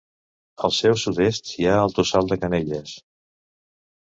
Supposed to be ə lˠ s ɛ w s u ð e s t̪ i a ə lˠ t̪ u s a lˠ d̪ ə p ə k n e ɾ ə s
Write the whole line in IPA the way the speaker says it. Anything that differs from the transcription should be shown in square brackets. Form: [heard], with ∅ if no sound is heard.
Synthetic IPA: ə lˠ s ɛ w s u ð e s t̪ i a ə lˠ t̪ u s a lˠ d̪ ə [k] ə [∅] n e [ʎ] ə s